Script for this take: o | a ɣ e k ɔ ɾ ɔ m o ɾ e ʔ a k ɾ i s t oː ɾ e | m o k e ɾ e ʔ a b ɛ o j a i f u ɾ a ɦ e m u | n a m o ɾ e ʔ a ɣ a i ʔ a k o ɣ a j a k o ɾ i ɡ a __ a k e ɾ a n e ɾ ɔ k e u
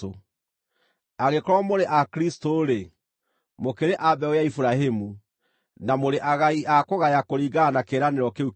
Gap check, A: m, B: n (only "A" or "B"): B